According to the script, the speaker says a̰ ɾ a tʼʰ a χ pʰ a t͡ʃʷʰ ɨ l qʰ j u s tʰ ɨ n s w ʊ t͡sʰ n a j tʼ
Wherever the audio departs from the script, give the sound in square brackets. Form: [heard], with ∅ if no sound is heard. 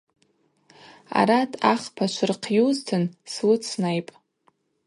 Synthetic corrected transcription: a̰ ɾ a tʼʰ a χ pʰ a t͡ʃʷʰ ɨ [r] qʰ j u [z] tʰ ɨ n s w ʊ t͡sʰ n a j [pʼ]